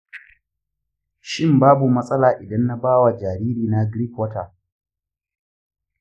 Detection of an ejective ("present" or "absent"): present